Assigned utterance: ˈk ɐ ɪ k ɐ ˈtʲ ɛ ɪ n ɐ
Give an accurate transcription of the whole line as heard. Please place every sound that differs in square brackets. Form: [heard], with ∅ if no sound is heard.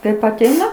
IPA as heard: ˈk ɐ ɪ [p] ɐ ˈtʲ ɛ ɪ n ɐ